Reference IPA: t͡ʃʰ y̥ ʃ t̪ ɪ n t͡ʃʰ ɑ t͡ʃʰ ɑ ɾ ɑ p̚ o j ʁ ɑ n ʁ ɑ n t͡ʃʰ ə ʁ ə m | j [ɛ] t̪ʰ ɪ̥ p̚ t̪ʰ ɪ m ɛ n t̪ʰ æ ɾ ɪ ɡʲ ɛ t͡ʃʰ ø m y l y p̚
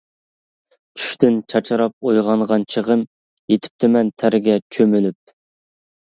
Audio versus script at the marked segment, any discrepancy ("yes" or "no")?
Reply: yes